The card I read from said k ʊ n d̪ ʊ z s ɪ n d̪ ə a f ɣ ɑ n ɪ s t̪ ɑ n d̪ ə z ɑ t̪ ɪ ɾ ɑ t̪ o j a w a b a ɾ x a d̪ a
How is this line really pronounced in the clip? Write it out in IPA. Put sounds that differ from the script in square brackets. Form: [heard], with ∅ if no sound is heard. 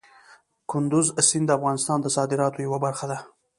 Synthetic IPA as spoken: k ʊ n d̪ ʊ z s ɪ n d̪ ə a f ɣ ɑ n ɪ s t̪ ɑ n d̪ ə [s] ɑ [d̪] ɪ ɾ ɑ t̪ o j a w a b a ɾ x a d̪ a